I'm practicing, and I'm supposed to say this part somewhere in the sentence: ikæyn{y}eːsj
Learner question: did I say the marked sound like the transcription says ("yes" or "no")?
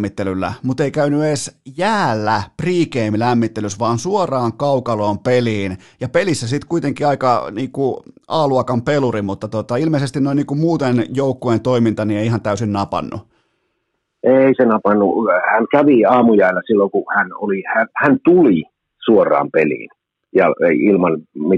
yes